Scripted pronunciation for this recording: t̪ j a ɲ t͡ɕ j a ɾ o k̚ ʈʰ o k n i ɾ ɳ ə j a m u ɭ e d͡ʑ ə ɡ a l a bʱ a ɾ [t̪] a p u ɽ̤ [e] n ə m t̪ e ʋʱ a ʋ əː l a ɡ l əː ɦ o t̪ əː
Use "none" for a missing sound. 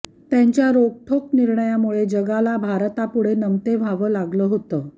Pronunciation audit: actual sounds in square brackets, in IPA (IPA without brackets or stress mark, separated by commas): t̪, e